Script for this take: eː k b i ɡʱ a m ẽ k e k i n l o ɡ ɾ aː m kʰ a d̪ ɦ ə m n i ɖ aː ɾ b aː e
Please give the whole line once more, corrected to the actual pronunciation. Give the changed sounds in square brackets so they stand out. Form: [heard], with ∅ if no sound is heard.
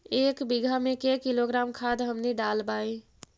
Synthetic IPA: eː k b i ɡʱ a m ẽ k e k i [∅] l o ɡ ɾ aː m kʰ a d̪ ɦ ə m n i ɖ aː [l] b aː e